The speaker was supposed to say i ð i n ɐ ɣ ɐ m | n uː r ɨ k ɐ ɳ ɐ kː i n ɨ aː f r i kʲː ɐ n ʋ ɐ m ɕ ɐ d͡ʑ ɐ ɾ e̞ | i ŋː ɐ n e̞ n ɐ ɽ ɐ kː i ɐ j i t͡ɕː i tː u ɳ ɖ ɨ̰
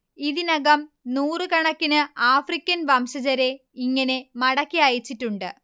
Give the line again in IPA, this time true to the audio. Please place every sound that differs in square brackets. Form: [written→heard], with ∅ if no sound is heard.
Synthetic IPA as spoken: i ð i n ɐ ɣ ɐ m | n uː r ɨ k ɐ ɳ ɐ kː i n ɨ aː f r i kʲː ɐ n ʋ ɐ m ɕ ɐ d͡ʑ ɐ ɾ e̞ | i ŋː ɐ n e̞ [n→m] ɐ ɽ ɐ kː i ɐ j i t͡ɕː i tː u ɳ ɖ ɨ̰